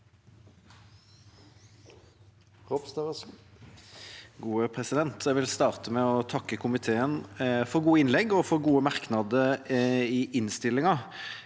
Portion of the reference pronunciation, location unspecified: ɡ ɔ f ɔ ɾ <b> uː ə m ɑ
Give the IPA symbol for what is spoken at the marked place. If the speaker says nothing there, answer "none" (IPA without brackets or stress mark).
ɡ